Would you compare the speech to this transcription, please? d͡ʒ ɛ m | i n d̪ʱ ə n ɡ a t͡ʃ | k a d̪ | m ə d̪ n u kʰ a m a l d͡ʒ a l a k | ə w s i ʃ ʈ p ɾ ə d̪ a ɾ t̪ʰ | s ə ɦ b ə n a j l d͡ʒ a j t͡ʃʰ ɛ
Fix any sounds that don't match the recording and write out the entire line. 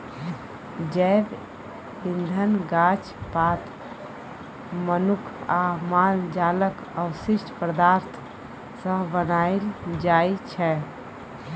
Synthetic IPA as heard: d͡ʒ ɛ b | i n d̪ʱ ə n ɡ a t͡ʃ | p a t̪ | m ə n u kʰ a m a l d͡ʒ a l ə k | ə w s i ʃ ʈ p ɾ ə d̪ a ɾ t̪ʰ | s ə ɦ b ə n a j l d͡ʒ a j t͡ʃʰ ɛ